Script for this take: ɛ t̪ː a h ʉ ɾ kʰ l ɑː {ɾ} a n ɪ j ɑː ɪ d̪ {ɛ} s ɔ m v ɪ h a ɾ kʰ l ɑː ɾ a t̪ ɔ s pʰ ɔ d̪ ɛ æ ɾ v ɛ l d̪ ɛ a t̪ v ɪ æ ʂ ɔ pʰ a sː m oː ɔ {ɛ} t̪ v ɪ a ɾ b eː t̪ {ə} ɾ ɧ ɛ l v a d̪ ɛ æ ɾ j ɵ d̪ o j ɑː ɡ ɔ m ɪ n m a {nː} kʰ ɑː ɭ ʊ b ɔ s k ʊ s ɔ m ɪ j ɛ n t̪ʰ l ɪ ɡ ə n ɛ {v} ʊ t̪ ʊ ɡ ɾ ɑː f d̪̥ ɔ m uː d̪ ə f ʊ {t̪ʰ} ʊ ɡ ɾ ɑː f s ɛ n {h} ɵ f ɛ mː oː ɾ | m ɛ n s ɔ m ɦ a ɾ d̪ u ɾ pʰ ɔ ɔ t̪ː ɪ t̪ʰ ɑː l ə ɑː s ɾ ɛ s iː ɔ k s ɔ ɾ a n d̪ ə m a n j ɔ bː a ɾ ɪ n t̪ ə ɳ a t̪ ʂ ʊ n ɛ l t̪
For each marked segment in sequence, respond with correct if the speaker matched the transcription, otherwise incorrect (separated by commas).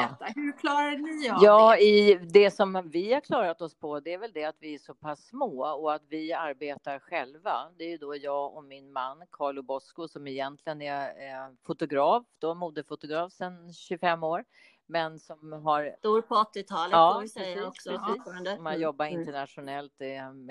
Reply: correct, correct, incorrect, incorrect, correct, incorrect, incorrect, incorrect